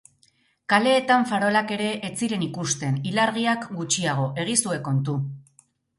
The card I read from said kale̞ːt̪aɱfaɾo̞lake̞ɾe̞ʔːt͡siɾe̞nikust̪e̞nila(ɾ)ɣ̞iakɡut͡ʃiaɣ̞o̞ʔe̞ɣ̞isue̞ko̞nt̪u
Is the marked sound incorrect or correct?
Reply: correct